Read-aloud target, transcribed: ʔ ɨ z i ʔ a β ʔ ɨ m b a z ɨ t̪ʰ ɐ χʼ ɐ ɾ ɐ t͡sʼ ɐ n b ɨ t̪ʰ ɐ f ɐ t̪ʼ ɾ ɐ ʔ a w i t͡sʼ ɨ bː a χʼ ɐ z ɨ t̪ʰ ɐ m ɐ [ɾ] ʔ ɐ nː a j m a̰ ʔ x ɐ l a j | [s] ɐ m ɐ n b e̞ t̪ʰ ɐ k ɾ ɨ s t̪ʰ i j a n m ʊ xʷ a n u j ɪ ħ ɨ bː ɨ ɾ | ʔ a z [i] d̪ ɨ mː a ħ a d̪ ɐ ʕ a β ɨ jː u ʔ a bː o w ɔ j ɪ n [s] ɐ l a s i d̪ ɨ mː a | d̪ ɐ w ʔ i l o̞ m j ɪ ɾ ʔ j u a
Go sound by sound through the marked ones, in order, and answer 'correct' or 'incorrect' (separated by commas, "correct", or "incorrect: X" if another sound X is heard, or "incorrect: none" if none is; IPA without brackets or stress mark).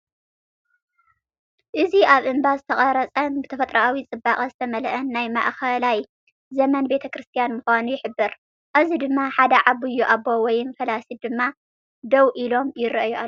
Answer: incorrect: l, incorrect: z, correct, incorrect: f